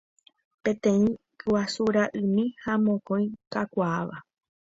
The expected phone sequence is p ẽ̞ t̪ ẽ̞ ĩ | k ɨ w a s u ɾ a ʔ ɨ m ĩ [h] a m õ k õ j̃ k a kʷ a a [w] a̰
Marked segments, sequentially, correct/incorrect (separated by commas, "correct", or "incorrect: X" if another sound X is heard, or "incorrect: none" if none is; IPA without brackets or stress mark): correct, incorrect: ʋ